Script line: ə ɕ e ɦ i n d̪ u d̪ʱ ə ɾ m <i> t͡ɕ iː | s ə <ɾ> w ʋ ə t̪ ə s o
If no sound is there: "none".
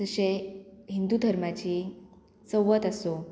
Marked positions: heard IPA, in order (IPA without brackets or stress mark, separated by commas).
a, none